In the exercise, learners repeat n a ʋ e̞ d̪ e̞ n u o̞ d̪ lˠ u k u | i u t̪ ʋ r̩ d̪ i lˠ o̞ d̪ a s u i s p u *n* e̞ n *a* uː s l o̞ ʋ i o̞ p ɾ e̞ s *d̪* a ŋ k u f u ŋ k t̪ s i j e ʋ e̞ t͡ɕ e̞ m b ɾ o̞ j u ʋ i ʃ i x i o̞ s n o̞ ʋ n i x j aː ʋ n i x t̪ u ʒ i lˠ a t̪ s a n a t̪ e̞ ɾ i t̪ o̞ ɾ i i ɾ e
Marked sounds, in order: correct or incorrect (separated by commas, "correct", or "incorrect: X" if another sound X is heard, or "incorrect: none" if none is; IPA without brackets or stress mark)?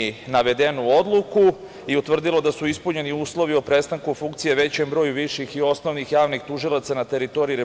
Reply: incorrect: ɲ, incorrect: i, incorrect: t̪